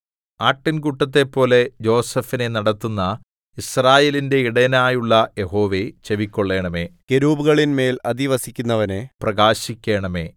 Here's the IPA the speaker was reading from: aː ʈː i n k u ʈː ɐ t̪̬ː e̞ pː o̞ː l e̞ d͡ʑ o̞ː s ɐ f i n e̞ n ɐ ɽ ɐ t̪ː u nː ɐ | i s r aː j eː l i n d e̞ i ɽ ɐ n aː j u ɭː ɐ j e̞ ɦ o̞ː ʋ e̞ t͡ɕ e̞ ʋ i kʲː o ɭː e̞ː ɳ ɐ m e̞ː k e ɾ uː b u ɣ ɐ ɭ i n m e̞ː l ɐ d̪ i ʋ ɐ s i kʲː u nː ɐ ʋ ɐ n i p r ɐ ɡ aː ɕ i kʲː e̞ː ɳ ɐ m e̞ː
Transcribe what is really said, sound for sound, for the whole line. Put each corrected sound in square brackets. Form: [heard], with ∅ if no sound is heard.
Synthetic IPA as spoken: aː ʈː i n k u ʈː ɐ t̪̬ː e̞ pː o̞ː l e̞ d͡ʑ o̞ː s ɐ f i n e̞ n ɐ ɽ ɐ t̪ː u nː ɐ | i s r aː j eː l i n d e̞ i ɽ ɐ n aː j u ɭː ɐ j e̞ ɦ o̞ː ʋ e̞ t͡ɕ e̞ ʋ i kʲː o ɭː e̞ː ɳ ɐ m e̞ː k e ɾ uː b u ɣ ɐ ɭ i n m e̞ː l ɐ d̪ i ʋ ɐ s i kʲː u nː ɐ ʋ ɐ n [e] p r ɐ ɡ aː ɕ i kʲː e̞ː ɳ ɐ m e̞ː